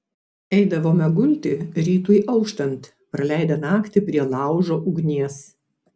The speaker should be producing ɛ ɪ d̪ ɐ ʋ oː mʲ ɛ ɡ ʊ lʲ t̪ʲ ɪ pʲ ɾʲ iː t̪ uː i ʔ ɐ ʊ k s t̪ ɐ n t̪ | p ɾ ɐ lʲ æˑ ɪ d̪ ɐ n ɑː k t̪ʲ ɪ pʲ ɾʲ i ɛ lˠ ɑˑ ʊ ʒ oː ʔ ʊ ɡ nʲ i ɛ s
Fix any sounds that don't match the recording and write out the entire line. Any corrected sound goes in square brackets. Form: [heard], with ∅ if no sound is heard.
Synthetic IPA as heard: ɛ ɪ d̪ ɐ ʋ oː mʲ ɛ ɡ ʊ lʲ t̪ʲ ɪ [∅] ɾʲ iː t̪ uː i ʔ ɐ ʊ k [ʃ] t̪ ɐ n t̪ | p ɾ ɐ lʲ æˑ ɪ d̪ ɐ n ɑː k t̪ʲ ɪ pʲ ɾʲ i ɛ lˠ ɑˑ ʊ ʒ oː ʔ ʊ ɡ nʲ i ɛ s